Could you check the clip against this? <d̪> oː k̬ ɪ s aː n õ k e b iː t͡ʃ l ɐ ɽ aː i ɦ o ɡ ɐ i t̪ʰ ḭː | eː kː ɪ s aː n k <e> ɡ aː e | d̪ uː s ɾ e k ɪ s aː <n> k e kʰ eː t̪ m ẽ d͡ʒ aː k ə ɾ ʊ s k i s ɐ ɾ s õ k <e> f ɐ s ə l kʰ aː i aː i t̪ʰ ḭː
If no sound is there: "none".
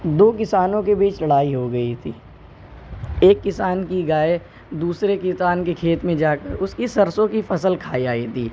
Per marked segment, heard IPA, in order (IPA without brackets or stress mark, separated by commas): d̪, i, n, i